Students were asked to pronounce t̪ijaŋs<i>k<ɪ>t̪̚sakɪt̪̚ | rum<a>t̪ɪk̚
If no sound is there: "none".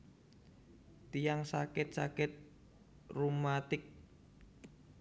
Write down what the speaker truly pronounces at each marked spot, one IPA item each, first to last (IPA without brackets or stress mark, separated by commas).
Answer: a, ɪ, a